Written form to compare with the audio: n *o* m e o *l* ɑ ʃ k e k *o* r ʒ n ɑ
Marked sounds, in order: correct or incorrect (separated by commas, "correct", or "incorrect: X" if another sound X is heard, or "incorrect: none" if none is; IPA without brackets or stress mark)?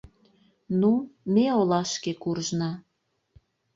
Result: incorrect: u, correct, incorrect: u